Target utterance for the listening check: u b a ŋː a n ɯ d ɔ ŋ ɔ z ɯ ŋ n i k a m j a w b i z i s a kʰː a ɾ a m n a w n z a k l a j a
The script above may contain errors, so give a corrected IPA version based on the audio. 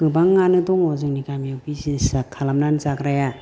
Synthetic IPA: ɯ b a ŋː a n ɯ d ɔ ŋ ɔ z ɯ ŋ n i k a m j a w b i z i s a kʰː a l a m n a n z a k ɾ a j a